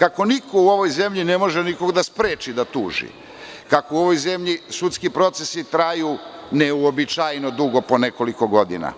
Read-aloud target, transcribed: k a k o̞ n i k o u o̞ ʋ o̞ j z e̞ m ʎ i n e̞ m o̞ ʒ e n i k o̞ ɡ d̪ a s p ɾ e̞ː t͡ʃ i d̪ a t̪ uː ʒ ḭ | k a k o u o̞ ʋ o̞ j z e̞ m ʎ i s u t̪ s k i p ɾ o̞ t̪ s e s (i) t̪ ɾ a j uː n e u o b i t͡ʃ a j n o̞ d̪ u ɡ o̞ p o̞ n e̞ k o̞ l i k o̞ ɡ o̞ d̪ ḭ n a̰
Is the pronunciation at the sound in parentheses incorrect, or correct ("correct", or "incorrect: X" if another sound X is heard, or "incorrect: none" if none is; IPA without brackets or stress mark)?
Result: correct